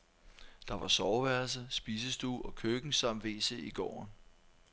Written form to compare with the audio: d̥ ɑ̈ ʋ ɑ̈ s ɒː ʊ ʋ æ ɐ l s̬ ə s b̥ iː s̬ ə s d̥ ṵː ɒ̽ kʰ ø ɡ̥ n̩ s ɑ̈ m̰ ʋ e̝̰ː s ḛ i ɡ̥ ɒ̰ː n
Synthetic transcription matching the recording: d̥ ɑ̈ ʋ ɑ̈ s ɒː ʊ ʋ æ ɐ l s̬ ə s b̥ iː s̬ ə s d̥ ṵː ɒ̽ kʰ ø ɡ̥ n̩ s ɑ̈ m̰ ʋ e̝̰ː s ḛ i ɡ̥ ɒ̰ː n